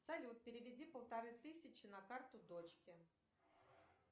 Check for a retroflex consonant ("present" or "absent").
absent